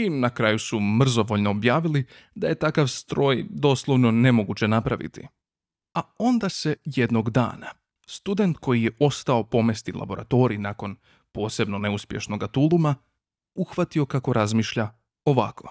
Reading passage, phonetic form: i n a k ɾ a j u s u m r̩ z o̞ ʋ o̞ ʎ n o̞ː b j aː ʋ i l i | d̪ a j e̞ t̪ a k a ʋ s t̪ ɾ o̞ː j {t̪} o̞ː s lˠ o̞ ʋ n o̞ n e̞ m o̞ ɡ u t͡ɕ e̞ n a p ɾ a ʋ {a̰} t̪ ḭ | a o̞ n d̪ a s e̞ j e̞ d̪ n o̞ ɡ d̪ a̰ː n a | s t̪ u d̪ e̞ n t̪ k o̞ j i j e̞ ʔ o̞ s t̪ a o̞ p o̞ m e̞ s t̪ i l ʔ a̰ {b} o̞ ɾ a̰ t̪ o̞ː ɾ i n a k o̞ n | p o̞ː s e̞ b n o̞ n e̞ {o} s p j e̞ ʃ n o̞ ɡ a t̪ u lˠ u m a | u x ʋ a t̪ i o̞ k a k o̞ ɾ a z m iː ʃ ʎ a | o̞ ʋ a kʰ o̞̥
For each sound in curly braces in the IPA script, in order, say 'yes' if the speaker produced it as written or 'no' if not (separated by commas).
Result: no, no, yes, no